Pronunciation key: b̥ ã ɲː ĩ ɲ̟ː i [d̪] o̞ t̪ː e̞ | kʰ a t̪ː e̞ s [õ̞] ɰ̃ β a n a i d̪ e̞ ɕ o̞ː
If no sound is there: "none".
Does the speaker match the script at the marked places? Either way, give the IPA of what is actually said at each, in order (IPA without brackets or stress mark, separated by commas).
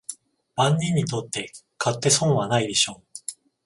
t̪, õ̞